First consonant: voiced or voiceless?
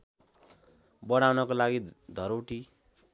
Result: voiced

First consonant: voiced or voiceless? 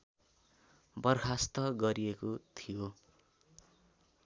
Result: voiced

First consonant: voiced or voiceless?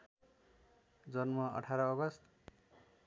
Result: voiced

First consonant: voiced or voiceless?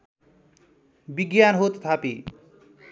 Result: voiced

